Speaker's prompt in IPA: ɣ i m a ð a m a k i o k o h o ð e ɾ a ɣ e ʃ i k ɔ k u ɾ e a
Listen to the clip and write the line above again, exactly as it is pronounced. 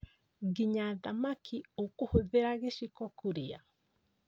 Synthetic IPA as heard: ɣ i ɲ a ð a m a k i o k o h o ð e ɾ a ɣ e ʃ i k ɔ k u ɾ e a